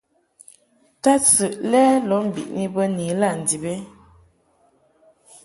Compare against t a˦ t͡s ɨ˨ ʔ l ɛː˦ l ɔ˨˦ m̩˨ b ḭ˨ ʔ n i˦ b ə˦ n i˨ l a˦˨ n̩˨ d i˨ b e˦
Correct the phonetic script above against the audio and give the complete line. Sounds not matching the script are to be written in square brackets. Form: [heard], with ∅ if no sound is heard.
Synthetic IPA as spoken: t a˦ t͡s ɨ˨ ʔ l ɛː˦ l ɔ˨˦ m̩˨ b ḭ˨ ʔ n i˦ b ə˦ n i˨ l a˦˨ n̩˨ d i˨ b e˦